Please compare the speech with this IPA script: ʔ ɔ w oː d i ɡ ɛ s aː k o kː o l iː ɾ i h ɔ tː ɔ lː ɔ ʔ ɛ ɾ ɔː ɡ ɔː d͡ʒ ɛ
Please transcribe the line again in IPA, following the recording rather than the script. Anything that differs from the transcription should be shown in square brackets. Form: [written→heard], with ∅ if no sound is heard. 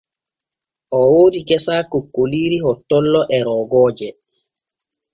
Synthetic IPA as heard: ʔ ɔ w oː d i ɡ ɛ s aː k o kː o l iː ɾ i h ɔ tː ɔ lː ɔ ʔ ɛ ɾ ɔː ɡ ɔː d͡ʒ ɛ